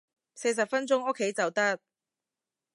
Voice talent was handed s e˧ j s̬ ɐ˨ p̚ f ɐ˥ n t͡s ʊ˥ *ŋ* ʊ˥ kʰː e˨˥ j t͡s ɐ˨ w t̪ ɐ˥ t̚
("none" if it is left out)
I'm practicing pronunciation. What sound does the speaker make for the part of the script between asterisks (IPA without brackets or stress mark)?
ŋ